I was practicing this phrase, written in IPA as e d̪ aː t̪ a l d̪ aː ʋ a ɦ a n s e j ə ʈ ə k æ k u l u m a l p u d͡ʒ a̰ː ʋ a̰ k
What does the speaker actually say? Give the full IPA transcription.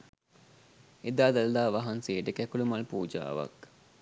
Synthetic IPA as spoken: e d̪ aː d̪ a l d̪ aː ʋ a ɦ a n s e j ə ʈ ə k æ k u l u m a l p uː d͡ʒ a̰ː ʋ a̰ k